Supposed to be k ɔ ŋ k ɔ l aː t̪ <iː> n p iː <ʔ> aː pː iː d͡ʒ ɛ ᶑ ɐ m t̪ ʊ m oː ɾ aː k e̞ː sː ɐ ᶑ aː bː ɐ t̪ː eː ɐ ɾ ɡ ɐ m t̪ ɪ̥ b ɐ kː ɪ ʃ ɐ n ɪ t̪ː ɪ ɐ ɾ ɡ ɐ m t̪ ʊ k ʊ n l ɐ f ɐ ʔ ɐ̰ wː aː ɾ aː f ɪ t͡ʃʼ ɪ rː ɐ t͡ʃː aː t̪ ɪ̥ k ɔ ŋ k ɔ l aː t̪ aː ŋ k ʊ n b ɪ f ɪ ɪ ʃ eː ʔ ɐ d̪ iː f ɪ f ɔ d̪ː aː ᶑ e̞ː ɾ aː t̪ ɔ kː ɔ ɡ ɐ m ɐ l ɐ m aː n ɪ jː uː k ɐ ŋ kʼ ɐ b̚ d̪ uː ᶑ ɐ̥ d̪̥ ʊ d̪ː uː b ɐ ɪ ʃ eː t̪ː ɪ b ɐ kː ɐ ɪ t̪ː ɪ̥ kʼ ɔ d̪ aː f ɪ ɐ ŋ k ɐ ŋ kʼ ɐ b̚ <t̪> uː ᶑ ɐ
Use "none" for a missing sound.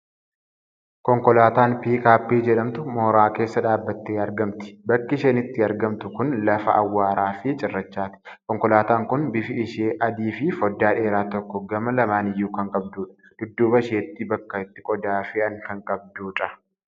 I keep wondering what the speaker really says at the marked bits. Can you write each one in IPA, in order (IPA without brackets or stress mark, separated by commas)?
aː, k, d̪